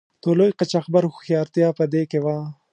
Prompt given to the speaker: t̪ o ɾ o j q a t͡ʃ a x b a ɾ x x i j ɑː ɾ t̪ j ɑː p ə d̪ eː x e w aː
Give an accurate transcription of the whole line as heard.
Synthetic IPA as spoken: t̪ o l o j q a t͡ʃ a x b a ɾ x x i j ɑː ɾ t̪ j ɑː p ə d̪ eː k e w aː